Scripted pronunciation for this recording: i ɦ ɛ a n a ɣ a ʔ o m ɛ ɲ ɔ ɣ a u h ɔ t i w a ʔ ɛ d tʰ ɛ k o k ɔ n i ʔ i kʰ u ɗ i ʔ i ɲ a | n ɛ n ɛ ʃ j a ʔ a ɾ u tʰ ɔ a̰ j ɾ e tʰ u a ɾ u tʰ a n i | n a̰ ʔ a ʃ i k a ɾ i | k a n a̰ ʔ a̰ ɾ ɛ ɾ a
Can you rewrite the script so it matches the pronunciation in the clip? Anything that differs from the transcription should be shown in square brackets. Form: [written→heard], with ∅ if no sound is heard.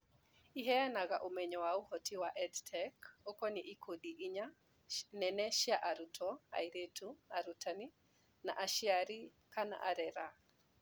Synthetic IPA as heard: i ɦ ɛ a n a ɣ a ʔ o m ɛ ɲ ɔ [ɣ→w] a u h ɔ t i w a ʔ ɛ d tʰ ɛ k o k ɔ n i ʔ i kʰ [u→o] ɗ i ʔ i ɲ a | n ɛ n ɛ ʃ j a ʔ a ɾ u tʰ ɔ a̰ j ɾ e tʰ u a ɾ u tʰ a n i | n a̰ ʔ a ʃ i [k→∅] a ɾ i | k a n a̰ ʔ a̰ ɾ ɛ ɾ a